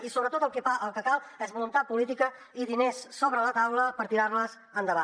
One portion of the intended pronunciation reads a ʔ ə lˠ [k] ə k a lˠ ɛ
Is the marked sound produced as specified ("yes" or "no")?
yes